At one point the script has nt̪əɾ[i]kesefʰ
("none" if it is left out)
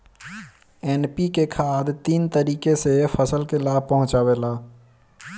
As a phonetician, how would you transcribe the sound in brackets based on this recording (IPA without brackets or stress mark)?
iː